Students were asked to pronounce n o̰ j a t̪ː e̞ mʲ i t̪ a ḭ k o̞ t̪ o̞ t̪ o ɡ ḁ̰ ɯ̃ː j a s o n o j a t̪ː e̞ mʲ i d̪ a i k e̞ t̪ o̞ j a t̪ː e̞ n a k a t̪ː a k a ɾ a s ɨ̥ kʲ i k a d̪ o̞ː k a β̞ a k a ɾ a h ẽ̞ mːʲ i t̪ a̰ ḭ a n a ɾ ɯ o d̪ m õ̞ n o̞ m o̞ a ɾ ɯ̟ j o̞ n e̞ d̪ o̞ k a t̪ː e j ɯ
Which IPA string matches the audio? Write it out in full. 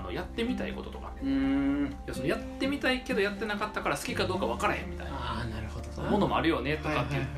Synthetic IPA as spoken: n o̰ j a t̪ː e̞ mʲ i t̪ a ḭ k o̞ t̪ o̞ t̪ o k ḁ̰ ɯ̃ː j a s o n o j a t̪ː e̞ mʲ i t̪ a i k e̞ d̪ o̞ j a t̪ː e̞ n a k a t̪ː a k a ɾ a s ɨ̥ kʲ i k a d̪ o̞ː k a β̞ a k a ɾ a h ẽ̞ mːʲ i t̪ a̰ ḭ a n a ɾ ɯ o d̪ m o̞ n o̞ m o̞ a ɾ ɯ̟ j o̞ n e̞ t̪ o̞ k a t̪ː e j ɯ